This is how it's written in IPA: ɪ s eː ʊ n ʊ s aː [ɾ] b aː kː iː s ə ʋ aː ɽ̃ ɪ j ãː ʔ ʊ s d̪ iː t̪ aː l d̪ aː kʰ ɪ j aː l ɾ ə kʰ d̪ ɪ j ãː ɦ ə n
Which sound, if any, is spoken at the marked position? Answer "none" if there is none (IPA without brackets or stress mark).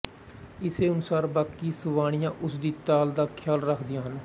ɾ